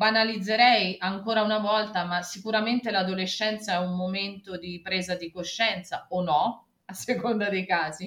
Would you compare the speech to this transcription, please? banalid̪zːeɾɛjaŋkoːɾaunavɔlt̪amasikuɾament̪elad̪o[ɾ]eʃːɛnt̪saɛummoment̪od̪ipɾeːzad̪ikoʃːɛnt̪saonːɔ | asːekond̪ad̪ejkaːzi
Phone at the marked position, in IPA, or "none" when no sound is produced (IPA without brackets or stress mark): l